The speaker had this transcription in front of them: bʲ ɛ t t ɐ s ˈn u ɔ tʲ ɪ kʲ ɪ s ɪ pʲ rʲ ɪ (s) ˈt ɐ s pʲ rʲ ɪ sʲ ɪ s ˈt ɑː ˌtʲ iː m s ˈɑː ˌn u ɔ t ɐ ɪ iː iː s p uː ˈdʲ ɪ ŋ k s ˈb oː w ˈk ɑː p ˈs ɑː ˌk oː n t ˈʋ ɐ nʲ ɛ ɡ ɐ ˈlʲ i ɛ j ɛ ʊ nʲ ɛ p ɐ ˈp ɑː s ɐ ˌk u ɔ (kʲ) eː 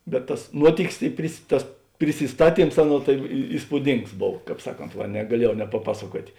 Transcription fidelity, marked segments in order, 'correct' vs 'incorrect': correct, incorrect: tʲ

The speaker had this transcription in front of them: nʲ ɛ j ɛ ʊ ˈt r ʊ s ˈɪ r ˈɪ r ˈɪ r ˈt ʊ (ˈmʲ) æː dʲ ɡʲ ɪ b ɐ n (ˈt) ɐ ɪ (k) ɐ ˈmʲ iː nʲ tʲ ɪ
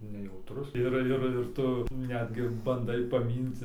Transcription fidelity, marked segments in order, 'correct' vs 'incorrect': incorrect: nʲ, incorrect: d, incorrect: p

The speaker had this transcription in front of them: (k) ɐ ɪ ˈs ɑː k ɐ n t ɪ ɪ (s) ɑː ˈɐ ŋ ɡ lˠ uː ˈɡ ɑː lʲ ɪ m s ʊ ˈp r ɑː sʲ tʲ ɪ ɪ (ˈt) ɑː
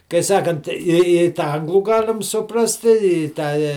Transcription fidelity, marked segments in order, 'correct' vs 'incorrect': correct, incorrect: t, correct

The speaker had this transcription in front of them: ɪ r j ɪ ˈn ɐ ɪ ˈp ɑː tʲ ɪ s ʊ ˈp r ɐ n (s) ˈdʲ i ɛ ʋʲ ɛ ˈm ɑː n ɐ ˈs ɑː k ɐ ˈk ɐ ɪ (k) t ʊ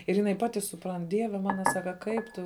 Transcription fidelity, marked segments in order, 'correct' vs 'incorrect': incorrect: t, incorrect: p

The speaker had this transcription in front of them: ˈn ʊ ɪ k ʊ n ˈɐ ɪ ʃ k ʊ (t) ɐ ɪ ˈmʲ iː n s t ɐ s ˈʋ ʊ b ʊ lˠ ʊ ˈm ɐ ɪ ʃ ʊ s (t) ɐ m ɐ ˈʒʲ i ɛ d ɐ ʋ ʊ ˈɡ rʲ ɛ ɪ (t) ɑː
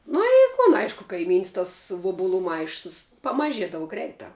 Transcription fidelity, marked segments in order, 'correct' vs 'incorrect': incorrect: k, incorrect: p, correct

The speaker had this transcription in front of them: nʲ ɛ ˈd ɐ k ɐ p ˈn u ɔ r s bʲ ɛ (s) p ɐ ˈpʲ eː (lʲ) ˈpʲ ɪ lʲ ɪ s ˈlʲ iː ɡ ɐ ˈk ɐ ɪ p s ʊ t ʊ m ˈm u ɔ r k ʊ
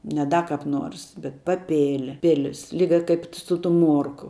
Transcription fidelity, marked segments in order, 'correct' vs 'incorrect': incorrect: t, correct

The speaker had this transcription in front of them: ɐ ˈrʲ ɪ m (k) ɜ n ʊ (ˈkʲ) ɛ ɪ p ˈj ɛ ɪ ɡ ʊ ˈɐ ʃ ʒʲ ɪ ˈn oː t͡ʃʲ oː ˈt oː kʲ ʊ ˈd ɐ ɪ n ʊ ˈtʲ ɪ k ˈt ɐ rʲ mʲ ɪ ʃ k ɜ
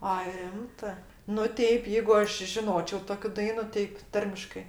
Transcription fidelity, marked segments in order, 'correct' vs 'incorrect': incorrect: t, incorrect: tʲ

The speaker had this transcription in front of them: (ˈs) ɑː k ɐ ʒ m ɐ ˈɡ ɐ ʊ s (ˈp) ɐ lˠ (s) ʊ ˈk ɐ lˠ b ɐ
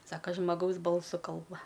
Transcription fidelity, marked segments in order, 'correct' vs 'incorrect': correct, incorrect: b, correct

